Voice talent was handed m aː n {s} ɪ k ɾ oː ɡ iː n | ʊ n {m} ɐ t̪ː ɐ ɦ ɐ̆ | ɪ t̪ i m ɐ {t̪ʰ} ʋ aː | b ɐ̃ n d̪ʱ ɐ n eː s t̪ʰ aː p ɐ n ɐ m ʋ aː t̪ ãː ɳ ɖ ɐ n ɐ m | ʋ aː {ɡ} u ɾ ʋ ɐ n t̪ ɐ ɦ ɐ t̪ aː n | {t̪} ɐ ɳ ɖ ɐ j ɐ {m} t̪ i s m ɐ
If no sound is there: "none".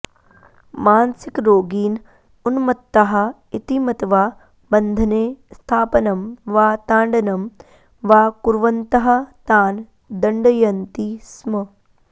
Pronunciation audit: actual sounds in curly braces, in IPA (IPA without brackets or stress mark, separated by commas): s, m, t̪, k, d̪, n